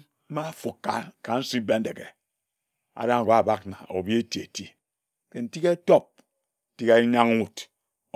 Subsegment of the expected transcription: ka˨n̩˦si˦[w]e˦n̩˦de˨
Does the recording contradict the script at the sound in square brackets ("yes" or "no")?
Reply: yes